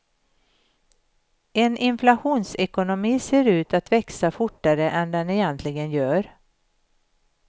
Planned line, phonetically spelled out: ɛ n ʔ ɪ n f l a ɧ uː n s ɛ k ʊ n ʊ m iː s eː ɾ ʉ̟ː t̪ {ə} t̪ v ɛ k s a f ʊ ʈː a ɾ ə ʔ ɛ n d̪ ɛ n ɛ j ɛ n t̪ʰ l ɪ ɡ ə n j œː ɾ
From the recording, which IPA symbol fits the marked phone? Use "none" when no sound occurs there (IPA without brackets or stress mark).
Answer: a